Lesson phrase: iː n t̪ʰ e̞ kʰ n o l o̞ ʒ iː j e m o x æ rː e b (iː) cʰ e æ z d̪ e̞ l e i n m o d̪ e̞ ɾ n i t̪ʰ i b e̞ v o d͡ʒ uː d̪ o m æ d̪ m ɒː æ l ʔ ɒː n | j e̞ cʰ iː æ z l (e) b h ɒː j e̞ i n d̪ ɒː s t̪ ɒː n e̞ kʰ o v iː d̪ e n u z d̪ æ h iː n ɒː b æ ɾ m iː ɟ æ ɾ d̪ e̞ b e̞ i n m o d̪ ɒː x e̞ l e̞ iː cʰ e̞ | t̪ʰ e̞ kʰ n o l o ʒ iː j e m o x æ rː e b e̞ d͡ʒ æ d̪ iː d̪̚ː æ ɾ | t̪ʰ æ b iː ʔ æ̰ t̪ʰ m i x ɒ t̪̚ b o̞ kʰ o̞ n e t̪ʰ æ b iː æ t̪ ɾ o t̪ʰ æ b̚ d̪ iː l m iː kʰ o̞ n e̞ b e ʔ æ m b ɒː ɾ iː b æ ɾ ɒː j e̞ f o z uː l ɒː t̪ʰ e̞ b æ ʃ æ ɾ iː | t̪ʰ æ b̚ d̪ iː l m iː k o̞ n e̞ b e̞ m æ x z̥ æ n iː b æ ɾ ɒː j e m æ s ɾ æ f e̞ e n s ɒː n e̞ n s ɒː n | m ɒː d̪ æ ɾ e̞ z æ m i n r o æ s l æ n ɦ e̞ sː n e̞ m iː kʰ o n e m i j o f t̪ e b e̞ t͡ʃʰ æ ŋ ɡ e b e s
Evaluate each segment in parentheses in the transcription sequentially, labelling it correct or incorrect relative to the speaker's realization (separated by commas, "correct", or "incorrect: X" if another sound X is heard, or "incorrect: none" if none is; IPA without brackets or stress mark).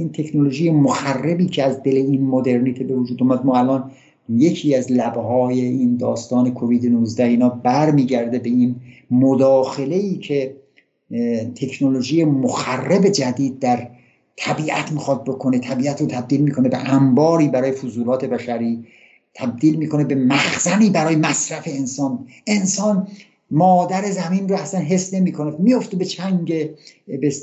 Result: correct, incorrect: æ